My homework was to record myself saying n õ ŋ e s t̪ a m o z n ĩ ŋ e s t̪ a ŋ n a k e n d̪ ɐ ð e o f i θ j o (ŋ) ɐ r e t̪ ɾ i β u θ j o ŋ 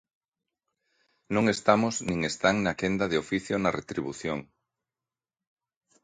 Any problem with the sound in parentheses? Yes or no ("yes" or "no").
yes